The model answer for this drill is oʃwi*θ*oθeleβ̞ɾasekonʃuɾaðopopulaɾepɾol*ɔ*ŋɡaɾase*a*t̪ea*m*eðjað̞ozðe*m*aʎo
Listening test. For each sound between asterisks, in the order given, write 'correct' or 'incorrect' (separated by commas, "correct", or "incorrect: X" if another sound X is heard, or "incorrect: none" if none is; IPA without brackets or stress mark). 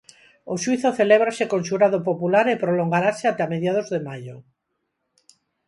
correct, incorrect: o, correct, correct, correct